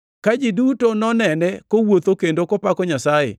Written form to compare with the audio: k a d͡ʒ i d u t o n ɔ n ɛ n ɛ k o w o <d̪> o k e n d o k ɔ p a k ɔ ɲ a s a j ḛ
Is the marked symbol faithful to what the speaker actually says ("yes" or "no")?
no